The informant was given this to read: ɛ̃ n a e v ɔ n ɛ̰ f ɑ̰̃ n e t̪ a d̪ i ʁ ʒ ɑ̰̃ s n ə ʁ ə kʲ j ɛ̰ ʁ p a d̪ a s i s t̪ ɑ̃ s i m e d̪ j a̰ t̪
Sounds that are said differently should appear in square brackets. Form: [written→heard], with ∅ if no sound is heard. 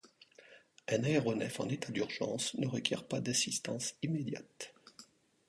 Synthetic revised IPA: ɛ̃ n a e [v→ʁ] ɔ n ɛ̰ f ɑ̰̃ n e t̪ a d̪ [i→y] ʁ ʒ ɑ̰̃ s n ə ʁ ə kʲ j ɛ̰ ʁ p a d̪ a s i s t̪ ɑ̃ s i m e d̪ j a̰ t̪

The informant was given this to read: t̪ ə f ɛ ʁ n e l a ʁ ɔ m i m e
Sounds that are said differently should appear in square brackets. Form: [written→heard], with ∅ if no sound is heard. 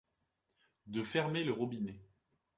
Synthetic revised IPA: [t̪→d̪] ə f ɛ ʁ [n→m] e l [a→ə] ʁ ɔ [m→b] i [m→n] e

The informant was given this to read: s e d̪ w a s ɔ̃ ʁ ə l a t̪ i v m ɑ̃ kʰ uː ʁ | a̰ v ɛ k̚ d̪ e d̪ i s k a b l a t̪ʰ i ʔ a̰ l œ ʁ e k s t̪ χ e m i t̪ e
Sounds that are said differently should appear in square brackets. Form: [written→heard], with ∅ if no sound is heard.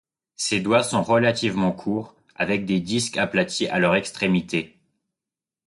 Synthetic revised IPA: s e d̪ w a s ɔ̃ ʁ ə l a t̪ i v m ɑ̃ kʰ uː ʁ | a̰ v ɛ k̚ d̪ e d̪ i s k a [b→p] l a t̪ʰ i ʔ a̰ l œ ʁ [e→ɛ] k s t̪ χ e m i t̪ e

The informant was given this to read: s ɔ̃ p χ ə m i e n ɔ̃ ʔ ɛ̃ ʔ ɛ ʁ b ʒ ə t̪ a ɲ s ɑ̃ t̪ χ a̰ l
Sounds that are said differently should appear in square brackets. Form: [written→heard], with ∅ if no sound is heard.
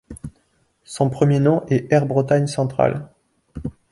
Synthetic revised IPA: s ɔ̃ p χ ə m [i→j] e n ɔ̃ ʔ [ɛ̃→ɛ] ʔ ɛ ʁ b [ʒ→ʁ] ə t̪ a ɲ s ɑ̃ t̪ χ a̰ l

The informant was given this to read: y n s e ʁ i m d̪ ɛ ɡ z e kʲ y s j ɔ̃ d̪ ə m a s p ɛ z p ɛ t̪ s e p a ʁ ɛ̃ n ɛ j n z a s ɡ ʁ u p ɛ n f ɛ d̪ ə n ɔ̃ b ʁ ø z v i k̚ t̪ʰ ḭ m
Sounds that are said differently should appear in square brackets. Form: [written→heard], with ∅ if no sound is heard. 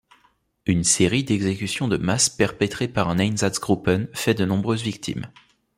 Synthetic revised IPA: y n s e ʁ i [m→∅] d̪ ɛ ɡ z e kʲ y s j ɔ̃ d̪ ə m a s p ɛ [z→ʁ] p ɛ t̪ [s→χ] e p a ʁ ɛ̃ n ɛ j n z a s ɡ ʁ u p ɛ n f ɛ d̪ ə n ɔ̃ b ʁ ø z v i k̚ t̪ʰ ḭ m

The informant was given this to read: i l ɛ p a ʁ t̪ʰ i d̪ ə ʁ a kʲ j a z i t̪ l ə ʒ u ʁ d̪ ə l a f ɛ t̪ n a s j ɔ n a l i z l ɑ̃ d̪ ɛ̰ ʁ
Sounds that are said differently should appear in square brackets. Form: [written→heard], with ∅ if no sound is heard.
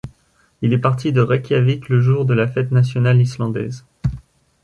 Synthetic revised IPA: i l ɛ p a ʁ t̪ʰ i d̪ ə ʁ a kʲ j a [z→v] i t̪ l ə ʒ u ʁ d̪ ə l a f ɛ t̪ n a s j ɔ n a l i [z→s] l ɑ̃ d̪ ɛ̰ [ʁ→z]

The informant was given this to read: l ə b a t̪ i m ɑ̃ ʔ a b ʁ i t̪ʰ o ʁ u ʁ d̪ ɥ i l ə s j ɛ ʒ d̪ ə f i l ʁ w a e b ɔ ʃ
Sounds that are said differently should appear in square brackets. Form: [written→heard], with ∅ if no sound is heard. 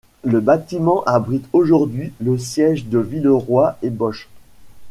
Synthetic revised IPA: l ə b a t̪ i m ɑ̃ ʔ a b ʁ i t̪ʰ o [ʁ→ʒ] u ʁ d̪ ɥ i l ə s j ɛ ʒ d̪ ə [f→v] i l ʁ w a e b ɔ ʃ

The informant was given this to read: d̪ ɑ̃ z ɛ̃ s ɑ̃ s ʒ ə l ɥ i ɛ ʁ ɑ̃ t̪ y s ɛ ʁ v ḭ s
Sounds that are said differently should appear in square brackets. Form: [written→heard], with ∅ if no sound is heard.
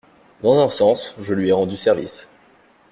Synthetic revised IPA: d̪ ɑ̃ z ɛ̃ s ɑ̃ s ʒ ə l ɥ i ɛ ʁ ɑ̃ [t̪→d̪] y s ɛ ʁ v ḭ s

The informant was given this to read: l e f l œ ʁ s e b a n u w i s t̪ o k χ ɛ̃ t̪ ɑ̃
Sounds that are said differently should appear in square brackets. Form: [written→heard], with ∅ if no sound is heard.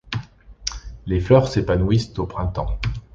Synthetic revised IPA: l e f l œ ʁ s e [b→p] a n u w i s t̪ o [k→p] χ ɛ̃ t̪ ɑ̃

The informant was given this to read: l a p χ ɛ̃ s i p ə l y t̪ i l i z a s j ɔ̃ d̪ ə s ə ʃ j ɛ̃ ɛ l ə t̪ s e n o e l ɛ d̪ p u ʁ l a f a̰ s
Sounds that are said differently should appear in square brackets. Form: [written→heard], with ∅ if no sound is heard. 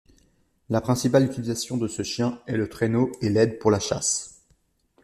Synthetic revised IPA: l a p χ ɛ̃ s i p [ə→a] l y t̪ i l i z a s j ɔ̃ d̪ ə s ə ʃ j ɛ̃ ɛ l ə t̪ [s→χ] e n o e l ɛ d̪ p u ʁ l a [f→ʃ] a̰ s

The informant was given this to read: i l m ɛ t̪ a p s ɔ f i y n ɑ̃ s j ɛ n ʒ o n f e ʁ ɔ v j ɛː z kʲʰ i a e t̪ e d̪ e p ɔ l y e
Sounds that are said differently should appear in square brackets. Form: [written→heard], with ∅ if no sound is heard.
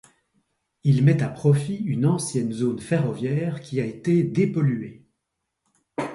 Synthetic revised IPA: i l m ɛ t̪ a p [s→χ] ɔ f i y n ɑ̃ s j ɛ n [ʒ→z] o n f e ʁ ɔ v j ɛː [z→ʁ] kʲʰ i a e t̪ e d̪ e p ɔ l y e

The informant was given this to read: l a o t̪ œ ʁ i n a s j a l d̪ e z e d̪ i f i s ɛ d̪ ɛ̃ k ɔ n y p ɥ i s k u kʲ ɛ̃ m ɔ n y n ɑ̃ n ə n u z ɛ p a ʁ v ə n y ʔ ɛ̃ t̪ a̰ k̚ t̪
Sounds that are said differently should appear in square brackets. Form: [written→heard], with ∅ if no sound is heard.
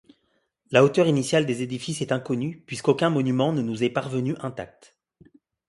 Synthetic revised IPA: l a o t̪ œ ʁ i n [a→i] s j a l d̪ e z e d̪ i f i s ɛ [d̪→t̪] ɛ̃ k ɔ n y p ɥ i s k [u→o] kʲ ɛ̃ m ɔ n y [n→m] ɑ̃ n ə n u z ɛ p a ʁ v ə n y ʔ ɛ̃ t̪ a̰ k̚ t̪

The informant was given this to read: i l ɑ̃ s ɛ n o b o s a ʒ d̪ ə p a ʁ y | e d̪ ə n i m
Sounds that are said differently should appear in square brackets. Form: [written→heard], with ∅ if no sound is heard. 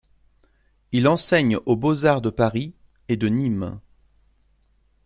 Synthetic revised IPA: i l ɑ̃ s ɛ [n→ɲ] o b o [s→z] a [ʒ→ʁ] d̪ ə p a ʁ [y→i] | e d̪ ə n i m

